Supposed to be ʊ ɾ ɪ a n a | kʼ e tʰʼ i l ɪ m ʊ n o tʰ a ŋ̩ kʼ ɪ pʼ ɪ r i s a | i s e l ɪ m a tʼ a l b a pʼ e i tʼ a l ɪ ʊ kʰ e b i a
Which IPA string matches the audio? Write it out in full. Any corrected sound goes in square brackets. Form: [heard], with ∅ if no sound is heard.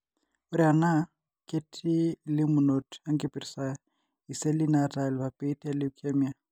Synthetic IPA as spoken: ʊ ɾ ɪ a n a | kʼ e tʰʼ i l ɪ m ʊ n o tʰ a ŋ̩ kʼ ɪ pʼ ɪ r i s a | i s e l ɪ [n] a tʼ a l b a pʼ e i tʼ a l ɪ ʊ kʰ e [m] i a